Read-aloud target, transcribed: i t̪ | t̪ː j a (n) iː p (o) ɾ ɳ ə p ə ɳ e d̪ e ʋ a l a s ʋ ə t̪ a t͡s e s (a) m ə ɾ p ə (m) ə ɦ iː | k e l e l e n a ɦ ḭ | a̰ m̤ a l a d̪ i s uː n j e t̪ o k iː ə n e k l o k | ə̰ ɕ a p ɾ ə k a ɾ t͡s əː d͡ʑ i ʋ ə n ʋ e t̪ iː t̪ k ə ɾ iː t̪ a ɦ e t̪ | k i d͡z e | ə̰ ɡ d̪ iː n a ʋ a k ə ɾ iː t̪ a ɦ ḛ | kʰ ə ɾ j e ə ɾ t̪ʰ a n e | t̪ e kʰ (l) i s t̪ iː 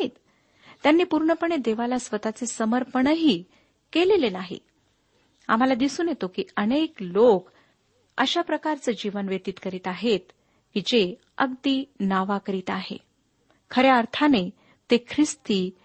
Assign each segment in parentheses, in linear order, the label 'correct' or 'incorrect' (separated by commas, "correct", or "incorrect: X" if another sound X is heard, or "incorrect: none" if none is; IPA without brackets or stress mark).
incorrect: nː, incorrect: u, incorrect: ə, incorrect: ɳ, incorrect: ɾ